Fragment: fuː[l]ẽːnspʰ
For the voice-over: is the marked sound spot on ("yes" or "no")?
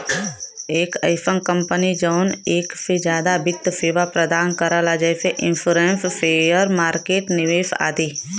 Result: no